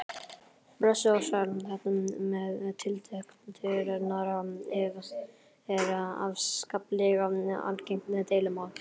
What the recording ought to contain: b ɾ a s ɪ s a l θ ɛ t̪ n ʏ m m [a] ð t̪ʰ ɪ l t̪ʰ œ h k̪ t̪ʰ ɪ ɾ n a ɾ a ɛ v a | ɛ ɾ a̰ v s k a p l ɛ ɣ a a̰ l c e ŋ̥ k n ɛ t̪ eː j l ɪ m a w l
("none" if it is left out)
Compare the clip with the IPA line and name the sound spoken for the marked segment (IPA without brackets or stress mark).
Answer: ɛ